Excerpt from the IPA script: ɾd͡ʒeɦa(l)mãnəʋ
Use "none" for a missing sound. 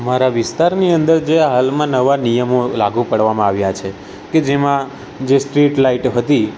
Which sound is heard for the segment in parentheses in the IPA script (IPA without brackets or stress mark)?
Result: l